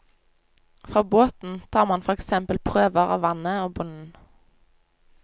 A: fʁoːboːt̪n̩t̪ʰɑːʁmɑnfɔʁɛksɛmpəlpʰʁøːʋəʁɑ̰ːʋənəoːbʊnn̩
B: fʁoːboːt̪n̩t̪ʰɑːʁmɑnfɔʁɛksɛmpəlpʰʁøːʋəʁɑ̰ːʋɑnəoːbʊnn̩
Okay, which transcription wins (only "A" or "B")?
B